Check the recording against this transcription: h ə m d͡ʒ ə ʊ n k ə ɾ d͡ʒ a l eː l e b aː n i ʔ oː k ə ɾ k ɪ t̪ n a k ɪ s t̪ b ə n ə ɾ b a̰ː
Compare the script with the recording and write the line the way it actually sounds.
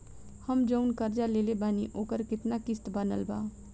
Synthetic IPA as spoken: h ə m d͡ʒ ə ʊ n k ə ɾ d͡ʒ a l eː l e b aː n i ʔ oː k ə ɾ k ɪ t̪ n a k ɪ s t̪ b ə n ə l b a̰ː